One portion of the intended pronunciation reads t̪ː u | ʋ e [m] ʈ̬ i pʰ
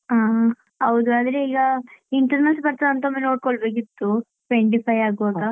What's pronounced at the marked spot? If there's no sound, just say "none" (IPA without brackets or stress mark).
ɳ